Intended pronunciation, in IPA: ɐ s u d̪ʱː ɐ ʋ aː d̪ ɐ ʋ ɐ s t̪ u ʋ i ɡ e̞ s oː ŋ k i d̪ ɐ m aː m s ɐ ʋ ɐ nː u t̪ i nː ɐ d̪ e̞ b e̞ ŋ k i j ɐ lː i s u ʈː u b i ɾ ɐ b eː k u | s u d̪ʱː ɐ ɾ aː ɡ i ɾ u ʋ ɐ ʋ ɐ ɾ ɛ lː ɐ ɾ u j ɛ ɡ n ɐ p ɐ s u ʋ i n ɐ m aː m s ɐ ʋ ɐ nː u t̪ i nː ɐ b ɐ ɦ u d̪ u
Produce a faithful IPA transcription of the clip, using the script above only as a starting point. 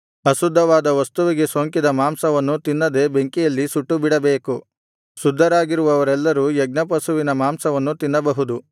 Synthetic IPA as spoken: ɐ s u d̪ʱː ɐ ʋ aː d̪ ɐ ʋ ɐ s t̪ u ʋ i ɡ e̞ s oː ŋ k i d̪ ɐ m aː m s ɐ ʋ ɐ nː u t̪ i nː ɐ d̪ e̞ b e̞ ŋ k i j ɐ lː i s u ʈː u b i ɽ ɐ b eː k u | s u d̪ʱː ɐ ɾ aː ɡ i ɾ u ʋ ɐ ʋ ɐ ɾ ɛ lː ɐ ɾ u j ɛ ɡ n ɐ p ɐ s u ʋ i n ɐ m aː m s ɐ ʋ ɐ nː u t̪ i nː ɐ b ɐ ɦ u d̪ u